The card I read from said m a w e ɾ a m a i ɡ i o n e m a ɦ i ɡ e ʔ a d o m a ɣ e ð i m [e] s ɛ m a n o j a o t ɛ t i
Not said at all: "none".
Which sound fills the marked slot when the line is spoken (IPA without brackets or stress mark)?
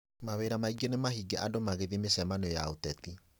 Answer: e